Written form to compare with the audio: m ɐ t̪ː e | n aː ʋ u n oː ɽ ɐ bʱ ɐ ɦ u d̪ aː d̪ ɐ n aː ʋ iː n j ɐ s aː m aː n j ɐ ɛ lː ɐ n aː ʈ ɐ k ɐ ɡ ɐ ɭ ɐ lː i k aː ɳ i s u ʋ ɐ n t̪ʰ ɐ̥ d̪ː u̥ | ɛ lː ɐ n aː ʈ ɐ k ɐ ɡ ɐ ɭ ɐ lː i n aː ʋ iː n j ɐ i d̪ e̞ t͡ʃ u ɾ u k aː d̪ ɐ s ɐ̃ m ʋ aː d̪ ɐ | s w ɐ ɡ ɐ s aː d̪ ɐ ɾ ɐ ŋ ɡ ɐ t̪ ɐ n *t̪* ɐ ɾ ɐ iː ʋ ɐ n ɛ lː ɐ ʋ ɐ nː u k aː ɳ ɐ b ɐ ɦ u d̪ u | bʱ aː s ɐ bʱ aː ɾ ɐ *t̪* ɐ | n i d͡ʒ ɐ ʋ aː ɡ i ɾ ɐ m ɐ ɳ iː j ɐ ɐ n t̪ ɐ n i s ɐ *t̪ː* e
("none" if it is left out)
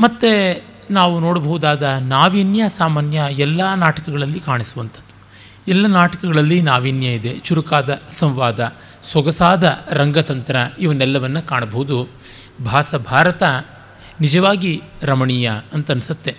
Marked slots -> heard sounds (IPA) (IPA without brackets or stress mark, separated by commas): t̪, t̪, t̪ː